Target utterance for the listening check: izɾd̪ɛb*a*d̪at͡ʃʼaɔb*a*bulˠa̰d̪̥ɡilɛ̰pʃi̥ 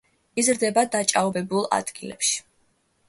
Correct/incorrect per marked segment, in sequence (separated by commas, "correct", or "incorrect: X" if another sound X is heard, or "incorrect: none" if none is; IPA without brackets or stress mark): correct, incorrect: ɛ